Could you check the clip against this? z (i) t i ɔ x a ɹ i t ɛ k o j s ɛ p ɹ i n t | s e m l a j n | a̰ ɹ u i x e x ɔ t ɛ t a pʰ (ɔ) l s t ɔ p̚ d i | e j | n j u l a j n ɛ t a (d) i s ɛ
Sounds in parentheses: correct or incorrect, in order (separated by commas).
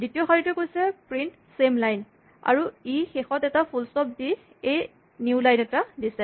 correct, incorrect, correct